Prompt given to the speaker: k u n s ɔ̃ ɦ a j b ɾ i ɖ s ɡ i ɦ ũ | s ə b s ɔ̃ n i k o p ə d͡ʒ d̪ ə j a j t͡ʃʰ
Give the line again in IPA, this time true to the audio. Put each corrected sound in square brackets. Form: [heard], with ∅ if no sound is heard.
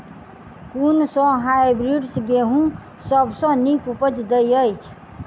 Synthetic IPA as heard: k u n s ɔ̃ ɦ a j b ɾ i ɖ s ɡ [e] ɦ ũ | s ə b s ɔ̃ n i k [u] p ə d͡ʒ d̪ ə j [ə] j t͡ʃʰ